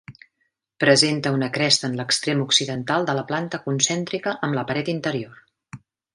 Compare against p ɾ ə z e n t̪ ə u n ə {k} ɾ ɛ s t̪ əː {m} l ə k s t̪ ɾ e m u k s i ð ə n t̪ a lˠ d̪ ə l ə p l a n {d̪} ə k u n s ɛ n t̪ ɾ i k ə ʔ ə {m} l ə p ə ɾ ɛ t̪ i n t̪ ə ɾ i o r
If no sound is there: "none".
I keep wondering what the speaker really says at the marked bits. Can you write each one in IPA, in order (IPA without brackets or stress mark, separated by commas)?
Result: k, n, t̪, m